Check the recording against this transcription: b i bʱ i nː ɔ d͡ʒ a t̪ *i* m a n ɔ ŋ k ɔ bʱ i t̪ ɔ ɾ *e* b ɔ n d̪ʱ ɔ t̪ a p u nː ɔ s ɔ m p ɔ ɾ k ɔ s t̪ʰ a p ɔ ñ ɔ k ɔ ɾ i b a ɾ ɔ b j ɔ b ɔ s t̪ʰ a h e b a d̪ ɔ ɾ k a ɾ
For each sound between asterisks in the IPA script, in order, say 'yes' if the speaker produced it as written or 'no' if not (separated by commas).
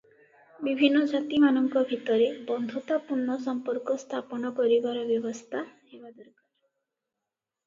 yes, yes